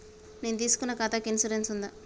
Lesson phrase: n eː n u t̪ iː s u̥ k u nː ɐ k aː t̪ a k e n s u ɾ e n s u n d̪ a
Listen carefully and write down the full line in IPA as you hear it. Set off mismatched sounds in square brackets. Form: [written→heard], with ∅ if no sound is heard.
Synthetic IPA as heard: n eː n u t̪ iː s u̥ k u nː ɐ k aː t̪ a k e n s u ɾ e n s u n d̪ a